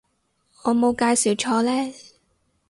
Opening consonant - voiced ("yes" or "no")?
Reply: yes